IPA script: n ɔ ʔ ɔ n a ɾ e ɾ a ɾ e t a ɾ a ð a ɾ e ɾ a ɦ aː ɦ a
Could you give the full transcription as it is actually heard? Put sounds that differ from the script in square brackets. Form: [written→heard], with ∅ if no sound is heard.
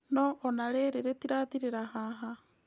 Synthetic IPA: n ɔ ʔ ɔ n a ɾ e ɾ [a→e] ɾ e t [a→i] ɾ a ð [a→i] ɾ e ɾ a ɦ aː ɦ a